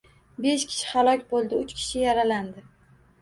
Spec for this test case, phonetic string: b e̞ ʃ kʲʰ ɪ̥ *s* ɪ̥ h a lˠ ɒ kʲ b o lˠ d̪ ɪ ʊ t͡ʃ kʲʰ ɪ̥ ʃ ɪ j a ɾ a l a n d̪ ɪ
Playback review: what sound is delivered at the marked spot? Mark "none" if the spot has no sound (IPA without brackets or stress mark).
ʃ